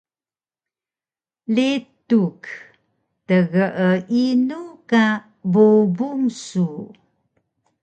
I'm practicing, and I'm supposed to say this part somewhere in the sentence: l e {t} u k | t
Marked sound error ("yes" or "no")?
no